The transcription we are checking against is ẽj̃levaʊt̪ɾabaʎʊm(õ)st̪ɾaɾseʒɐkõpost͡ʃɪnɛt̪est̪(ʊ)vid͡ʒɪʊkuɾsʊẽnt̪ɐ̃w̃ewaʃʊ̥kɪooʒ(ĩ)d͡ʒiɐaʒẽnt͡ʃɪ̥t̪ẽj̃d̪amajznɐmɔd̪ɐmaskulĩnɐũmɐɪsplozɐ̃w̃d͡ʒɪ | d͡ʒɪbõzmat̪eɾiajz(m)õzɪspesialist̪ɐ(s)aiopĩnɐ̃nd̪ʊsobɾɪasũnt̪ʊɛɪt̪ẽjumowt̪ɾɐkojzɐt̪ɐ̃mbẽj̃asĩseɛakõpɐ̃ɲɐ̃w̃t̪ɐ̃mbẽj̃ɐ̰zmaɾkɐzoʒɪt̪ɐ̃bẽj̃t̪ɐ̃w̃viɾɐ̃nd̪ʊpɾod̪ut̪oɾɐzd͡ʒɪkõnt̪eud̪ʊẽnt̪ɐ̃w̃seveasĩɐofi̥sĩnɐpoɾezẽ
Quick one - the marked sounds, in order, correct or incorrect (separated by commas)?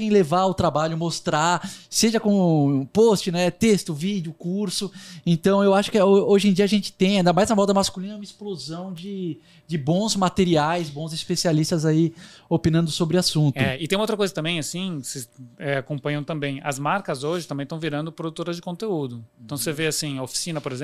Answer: incorrect, correct, incorrect, incorrect, incorrect